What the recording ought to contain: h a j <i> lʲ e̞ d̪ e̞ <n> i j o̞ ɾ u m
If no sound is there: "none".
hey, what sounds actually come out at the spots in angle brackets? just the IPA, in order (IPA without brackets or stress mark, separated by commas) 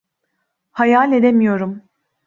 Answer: a, m